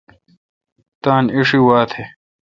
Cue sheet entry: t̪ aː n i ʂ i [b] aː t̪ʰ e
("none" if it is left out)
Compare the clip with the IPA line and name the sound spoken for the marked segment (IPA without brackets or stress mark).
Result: w